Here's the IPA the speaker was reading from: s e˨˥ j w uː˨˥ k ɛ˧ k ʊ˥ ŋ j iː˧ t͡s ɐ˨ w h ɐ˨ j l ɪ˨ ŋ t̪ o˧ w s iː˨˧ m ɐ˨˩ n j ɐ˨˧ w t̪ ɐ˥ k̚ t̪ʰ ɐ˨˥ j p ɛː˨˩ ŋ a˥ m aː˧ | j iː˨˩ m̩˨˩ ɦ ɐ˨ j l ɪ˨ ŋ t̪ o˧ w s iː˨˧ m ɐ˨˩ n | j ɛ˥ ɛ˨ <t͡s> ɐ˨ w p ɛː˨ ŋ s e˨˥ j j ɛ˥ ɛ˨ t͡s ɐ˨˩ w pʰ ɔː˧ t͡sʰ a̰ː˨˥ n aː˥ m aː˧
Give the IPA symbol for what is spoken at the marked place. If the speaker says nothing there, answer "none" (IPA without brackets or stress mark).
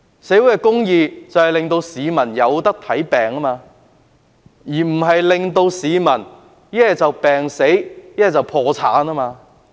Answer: t͡s